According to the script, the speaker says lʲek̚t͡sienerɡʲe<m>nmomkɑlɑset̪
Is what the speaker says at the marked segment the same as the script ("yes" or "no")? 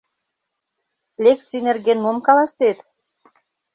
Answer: no